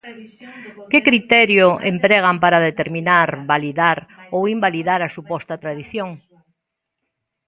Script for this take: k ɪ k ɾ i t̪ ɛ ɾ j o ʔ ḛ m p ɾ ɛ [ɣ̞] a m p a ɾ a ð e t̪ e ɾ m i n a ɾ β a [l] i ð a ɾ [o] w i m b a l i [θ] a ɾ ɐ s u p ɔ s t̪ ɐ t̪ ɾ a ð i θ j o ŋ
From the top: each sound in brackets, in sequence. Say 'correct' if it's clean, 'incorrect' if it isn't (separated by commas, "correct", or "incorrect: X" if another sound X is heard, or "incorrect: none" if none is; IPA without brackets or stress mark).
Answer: correct, correct, correct, incorrect: ð